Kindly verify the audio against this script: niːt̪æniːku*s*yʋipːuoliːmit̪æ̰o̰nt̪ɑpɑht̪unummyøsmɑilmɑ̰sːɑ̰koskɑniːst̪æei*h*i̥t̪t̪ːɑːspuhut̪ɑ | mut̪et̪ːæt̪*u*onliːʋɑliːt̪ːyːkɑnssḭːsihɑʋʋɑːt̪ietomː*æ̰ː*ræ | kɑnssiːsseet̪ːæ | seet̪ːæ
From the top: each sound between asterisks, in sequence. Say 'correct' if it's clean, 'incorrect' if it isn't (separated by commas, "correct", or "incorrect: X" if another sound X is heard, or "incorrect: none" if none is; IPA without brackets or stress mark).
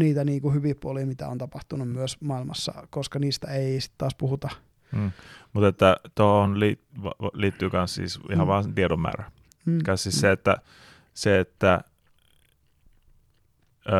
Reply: incorrect: h, incorrect: s, incorrect: o, correct